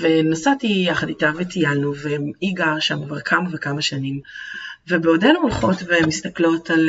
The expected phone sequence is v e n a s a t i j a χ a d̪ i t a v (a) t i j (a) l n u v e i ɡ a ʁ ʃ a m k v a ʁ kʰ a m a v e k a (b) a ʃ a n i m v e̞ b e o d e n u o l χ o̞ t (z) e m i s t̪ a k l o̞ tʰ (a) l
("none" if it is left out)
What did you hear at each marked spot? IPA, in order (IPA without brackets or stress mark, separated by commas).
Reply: e, a, m, v, a